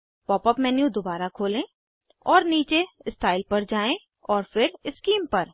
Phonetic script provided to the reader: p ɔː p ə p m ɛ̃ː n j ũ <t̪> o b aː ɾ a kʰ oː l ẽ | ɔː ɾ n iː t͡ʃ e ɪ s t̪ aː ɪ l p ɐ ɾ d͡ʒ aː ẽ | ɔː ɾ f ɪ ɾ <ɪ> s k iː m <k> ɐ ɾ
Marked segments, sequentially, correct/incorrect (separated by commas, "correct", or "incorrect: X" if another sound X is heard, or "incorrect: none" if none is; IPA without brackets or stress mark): incorrect: d̪, correct, incorrect: p